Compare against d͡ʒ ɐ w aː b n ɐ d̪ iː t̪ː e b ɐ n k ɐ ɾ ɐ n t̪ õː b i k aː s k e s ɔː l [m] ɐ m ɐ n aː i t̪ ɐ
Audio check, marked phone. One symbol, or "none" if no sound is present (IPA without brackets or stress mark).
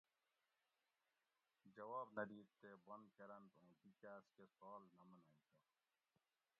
n